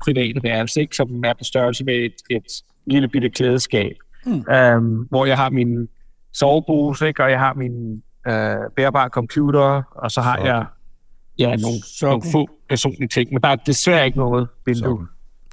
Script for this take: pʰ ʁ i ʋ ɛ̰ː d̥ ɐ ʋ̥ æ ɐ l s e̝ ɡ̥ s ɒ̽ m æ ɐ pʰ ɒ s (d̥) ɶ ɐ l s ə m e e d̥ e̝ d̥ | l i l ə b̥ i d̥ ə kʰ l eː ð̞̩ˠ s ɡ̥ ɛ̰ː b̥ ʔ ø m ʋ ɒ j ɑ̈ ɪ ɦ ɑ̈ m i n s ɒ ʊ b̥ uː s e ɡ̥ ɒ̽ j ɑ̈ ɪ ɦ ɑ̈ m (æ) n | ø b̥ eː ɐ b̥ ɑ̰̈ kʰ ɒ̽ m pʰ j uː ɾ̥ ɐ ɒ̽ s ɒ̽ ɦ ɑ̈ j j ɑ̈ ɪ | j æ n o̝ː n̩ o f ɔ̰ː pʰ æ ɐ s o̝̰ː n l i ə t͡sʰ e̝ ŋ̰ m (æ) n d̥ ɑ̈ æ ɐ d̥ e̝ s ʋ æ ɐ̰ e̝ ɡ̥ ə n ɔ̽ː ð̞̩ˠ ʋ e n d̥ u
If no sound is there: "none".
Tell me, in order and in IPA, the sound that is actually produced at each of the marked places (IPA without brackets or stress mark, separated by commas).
d̥, i, e